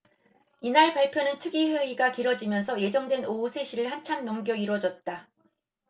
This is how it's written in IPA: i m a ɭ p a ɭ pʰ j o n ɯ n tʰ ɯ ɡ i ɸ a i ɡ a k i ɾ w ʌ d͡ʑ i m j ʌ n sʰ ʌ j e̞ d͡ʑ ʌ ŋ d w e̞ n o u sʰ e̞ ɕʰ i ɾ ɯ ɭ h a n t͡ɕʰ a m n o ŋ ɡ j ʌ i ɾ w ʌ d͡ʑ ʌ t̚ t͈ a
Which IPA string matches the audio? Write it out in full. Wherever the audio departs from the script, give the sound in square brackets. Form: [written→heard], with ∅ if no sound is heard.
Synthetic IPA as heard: i [m→n] a ɭ p a ɭ pʰ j o n ɯ n tʰ ɯ ɡ i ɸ [a→e] i ɡ a k i ɾ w ʌ d͡ʑ i m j ʌ n sʰ ʌ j e̞ d͡ʑ ʌ ŋ d w e̞ n o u sʰ e̞ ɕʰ i ɾ ɯ ɭ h a n t͡ɕʰ a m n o ŋ ɡ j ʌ i ɾ w ʌ d͡ʑ ʌ t̚ t͈ a